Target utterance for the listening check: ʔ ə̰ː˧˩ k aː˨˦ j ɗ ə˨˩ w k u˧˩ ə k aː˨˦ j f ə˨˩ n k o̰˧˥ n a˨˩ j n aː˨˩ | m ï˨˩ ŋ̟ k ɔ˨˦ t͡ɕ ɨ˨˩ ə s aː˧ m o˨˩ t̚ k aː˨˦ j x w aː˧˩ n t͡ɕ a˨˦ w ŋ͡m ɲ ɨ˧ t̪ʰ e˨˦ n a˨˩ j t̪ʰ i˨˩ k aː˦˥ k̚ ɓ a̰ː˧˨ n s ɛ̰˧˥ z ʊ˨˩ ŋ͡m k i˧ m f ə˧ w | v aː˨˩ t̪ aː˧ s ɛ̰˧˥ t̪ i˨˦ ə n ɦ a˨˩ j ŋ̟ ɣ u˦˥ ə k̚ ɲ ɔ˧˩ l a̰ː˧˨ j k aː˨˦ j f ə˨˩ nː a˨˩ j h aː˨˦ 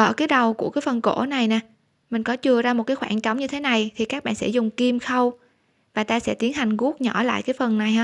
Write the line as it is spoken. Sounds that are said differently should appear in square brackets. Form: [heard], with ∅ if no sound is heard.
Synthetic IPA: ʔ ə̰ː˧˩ k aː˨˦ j ɗ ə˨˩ w k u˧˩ ə k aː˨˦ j f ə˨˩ n k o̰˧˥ n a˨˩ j n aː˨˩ | m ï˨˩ ŋ̟ k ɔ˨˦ t͡ɕ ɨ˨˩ ə [z] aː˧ m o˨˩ t̚ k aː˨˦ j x w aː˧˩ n t͡ɕ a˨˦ w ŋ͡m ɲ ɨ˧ t̪ʰ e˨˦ n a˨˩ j t̪ʰ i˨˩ k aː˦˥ k̚ ɓ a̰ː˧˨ n s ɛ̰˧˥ z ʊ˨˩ ŋ͡m k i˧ m [x] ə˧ w | v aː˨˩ t̪ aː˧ s ɛ̰˧˥ t̪ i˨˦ ə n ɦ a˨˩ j ŋ̟ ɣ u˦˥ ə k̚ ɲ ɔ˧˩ l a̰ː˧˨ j k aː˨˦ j f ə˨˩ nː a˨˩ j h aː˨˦